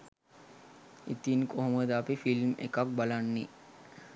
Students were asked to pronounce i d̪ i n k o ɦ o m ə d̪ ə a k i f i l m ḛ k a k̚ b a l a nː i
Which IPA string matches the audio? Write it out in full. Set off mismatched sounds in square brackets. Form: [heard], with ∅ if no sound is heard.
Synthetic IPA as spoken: i [t̪] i n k o ɦ o m ə d̪ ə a [p] i f i l m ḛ k a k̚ b a l a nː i